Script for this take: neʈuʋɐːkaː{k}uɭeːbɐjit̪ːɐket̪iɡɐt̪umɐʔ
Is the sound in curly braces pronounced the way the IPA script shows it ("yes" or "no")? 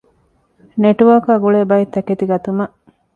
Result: no